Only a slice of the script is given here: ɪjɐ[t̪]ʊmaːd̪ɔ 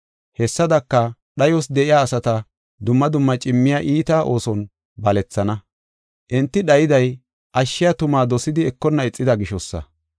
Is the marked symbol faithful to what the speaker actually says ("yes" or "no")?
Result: yes